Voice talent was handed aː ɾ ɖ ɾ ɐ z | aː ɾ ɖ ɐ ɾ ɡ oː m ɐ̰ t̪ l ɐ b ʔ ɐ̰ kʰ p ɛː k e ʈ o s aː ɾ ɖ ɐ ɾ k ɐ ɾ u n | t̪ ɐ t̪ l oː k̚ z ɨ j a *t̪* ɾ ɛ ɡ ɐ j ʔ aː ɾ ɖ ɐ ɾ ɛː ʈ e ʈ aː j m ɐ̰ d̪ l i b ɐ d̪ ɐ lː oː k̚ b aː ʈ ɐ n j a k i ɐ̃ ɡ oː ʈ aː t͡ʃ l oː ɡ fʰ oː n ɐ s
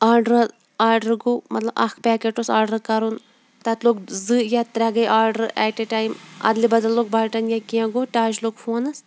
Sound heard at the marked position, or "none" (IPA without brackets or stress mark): t̪